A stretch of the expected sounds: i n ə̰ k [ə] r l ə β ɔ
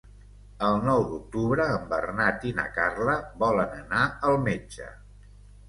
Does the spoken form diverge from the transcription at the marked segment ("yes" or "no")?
yes